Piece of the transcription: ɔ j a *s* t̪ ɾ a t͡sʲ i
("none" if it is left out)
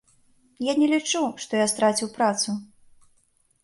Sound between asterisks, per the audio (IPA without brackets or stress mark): s